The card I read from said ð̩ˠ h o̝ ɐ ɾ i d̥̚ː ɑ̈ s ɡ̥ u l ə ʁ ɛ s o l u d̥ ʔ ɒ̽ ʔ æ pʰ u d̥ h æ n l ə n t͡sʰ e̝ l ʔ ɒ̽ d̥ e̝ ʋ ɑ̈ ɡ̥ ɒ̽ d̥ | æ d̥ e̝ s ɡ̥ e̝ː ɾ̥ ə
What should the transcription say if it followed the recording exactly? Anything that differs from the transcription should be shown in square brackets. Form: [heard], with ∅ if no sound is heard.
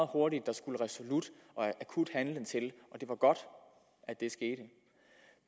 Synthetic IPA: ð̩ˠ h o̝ ɐ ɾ i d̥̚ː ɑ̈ s ɡ̥ u l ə ʁ ɛ s o l u d̥ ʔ ɒ̽ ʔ æ [kʰ] u d̥ h æ n l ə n t͡sʰ e̝ l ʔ ɒ̽ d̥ e̝ ʋ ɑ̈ ɡ̥ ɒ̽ d̥ | æ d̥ e̝ s ɡ̥ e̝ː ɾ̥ ə